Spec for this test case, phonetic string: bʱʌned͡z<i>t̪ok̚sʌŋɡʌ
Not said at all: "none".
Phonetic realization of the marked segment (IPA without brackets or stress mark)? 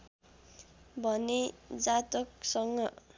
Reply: a